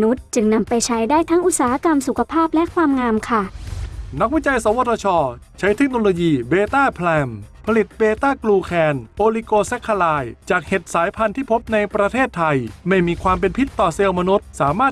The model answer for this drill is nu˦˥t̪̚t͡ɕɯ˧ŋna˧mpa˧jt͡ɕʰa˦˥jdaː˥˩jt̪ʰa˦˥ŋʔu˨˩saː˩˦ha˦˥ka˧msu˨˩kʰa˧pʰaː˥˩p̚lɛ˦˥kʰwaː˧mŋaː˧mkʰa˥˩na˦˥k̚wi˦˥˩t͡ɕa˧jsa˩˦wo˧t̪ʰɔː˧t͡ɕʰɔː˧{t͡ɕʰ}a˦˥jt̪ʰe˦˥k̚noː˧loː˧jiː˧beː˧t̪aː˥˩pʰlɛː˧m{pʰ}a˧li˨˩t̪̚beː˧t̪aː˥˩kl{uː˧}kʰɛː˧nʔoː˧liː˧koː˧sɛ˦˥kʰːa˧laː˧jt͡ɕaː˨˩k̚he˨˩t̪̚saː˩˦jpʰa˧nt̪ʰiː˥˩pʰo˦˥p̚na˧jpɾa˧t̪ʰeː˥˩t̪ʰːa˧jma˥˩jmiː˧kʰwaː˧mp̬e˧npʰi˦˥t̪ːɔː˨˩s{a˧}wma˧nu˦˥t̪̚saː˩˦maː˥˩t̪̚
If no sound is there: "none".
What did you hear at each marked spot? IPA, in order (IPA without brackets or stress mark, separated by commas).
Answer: t͡ɕʰ, pʰ, uː˧, e˧